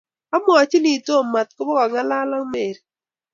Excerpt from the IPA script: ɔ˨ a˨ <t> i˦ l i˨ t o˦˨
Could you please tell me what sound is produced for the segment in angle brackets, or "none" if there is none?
t͡ʃ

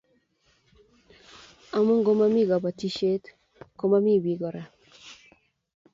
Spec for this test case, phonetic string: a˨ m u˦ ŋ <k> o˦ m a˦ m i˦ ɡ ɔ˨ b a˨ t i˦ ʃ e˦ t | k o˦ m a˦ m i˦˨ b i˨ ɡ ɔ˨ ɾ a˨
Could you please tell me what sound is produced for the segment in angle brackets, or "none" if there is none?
ɡ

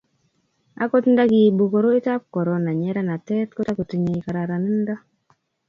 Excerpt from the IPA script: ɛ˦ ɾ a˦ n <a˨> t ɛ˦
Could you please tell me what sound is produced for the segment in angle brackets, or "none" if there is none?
a˨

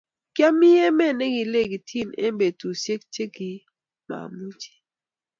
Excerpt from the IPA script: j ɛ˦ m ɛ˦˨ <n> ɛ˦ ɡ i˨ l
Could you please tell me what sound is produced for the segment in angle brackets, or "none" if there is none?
n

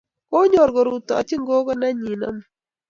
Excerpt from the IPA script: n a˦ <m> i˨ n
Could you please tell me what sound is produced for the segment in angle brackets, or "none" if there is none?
ɲ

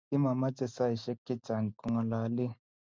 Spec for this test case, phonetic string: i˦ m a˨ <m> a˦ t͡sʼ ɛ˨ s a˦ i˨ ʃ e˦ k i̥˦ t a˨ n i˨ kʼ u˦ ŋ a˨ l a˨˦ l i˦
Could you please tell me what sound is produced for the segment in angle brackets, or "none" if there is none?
m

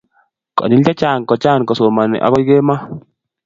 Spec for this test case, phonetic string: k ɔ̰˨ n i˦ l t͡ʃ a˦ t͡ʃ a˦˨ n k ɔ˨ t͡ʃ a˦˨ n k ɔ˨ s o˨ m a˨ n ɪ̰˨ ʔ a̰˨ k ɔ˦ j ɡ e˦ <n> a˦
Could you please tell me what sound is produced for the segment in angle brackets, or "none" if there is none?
m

